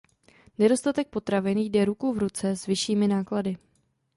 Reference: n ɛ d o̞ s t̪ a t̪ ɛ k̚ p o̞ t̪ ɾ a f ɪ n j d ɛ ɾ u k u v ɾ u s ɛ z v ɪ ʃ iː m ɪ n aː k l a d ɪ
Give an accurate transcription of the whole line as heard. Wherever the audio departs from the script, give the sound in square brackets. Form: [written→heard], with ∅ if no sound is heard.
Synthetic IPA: n ɛ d o̞ s t̪ a t̪ ɛ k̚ p o̞ t̪ ɾ a [f→v] ɪ n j d ɛ ɾ u k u v ɾ u [s→t͡s] ɛ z v ɪ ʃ iː m ɪ n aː k l a d ɪ